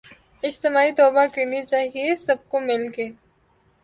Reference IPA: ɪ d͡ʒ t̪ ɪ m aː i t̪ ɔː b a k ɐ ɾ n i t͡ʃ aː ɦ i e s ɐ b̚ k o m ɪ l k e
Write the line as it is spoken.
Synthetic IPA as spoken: ɪ d͡ʒ t̪ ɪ m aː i t̪ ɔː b a k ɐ ɾ n i t͡ʃ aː ɦ i e s ɐ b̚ k o m ɪ l k e